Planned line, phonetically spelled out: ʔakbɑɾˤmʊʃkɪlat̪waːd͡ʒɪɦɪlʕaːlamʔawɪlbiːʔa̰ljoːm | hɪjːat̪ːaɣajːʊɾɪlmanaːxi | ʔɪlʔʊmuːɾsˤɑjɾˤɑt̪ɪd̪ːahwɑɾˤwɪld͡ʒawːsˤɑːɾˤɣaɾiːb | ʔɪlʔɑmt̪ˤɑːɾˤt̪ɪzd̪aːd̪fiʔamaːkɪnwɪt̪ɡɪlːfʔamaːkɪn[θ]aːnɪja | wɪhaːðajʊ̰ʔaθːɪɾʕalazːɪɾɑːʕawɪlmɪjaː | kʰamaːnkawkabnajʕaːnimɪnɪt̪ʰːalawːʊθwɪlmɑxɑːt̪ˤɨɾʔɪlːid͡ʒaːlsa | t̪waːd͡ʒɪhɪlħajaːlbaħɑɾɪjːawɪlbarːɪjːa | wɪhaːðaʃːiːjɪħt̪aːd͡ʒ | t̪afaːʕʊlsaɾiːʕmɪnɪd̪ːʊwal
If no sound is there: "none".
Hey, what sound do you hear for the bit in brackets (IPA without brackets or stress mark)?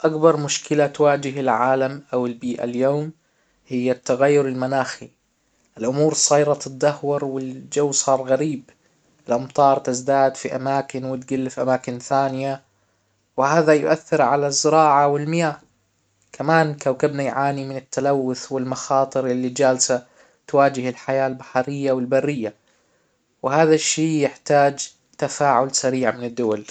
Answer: θ